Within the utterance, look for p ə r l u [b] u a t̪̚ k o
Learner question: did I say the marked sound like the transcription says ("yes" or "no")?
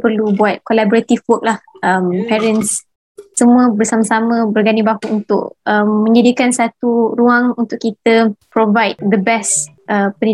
yes